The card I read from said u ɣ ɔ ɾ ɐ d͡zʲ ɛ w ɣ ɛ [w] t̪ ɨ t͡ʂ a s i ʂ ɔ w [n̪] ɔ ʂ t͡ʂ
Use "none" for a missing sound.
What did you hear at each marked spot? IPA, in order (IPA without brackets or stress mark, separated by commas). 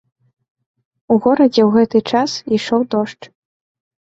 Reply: none, d̪